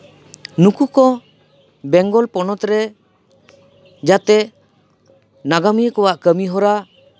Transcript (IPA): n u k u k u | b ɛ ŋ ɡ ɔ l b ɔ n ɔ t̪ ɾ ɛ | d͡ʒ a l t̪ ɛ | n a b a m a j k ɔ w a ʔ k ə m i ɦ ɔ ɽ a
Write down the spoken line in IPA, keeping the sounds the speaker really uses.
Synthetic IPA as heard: n u k u k ɔ | b ɛ ŋ ɡ ɔ l p ɔ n ɔ t̪ ɾ ɛ | d͡ʒ a t̪ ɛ | n a ɡ a m i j k ɔ w a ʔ k ə m i ɦ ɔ ɾ a